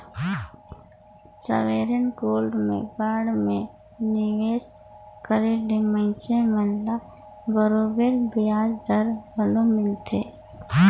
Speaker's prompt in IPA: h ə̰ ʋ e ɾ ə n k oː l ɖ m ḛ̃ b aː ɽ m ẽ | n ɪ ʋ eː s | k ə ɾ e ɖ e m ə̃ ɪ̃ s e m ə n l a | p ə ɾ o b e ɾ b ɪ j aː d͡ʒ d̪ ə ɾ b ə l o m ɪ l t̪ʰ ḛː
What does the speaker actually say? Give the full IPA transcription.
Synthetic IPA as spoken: s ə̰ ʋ e ɾ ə n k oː l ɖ m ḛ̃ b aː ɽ m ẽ | n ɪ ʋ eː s | k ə ɾ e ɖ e m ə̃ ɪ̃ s e m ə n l a | b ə ɾ o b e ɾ b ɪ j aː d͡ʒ d̪ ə ɾ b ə l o m ɪ l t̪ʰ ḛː